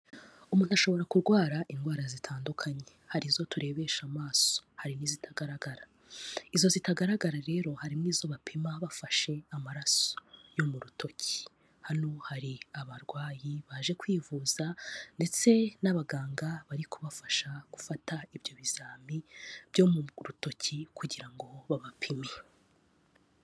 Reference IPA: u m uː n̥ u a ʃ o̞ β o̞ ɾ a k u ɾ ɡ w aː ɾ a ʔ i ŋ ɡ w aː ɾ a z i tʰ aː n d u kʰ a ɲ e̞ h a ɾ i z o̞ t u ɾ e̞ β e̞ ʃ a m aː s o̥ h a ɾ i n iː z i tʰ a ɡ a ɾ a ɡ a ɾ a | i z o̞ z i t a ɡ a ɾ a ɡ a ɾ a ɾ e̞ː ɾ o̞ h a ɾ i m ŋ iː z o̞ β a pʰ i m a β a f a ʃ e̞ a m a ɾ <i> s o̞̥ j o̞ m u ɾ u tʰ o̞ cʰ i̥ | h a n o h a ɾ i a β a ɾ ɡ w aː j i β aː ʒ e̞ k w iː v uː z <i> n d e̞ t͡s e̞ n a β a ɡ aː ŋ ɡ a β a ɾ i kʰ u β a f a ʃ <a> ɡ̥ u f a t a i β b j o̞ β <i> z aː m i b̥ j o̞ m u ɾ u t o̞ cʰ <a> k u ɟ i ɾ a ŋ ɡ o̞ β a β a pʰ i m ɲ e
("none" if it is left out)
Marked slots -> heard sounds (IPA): a, a, a, i, i

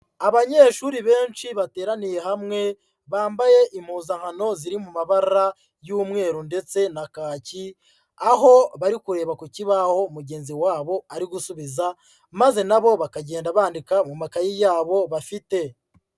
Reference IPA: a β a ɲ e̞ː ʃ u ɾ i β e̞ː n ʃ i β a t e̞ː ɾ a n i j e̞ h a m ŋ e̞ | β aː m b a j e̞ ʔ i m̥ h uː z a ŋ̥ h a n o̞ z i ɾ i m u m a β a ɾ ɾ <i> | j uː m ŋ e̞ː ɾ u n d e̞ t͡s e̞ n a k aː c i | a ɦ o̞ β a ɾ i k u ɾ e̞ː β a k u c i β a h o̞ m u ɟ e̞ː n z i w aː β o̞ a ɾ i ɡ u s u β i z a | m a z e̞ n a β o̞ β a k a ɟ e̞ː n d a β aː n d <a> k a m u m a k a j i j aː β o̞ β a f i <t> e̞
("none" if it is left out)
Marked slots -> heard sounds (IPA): a, i, t

